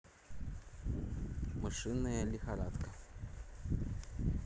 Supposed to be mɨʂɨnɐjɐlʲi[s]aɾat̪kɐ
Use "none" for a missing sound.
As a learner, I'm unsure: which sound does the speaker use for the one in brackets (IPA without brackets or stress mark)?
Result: x